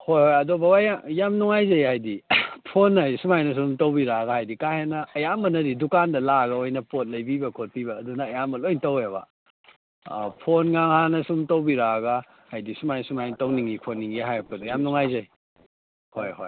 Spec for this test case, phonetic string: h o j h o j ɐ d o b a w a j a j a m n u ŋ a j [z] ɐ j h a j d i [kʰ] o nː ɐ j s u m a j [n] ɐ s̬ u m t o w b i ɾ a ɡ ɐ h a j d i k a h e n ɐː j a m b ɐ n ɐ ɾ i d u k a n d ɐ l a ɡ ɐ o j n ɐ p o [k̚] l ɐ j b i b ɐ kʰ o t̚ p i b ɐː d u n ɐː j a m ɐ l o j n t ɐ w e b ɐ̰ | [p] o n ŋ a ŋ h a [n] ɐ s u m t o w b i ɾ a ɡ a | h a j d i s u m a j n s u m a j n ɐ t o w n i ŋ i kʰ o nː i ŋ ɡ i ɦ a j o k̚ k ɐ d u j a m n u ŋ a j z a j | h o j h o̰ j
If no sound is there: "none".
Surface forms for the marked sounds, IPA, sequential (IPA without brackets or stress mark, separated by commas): z, pʰ, n, t̚, pʰ, n